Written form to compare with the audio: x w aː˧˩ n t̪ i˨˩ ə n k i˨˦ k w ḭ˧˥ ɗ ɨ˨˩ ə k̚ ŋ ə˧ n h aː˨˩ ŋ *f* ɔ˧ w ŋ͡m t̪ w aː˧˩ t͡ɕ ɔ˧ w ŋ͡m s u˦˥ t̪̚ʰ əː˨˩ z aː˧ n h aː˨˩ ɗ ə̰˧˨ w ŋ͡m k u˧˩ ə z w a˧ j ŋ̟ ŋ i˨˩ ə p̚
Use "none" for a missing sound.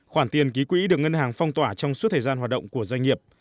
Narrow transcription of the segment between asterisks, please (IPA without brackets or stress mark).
f